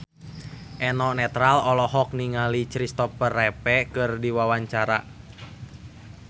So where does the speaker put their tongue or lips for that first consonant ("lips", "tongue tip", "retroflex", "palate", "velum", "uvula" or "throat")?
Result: throat